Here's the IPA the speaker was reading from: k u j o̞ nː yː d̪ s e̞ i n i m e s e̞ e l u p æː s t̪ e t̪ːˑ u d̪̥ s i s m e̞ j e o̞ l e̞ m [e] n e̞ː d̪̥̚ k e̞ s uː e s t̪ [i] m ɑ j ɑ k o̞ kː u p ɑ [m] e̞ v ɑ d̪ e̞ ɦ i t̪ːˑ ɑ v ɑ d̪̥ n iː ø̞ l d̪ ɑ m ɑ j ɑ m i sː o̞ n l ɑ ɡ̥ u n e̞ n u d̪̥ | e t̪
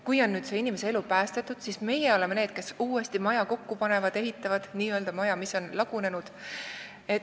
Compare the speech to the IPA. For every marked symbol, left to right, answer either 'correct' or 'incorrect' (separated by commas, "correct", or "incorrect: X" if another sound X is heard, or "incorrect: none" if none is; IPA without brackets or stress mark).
correct, correct, incorrect: n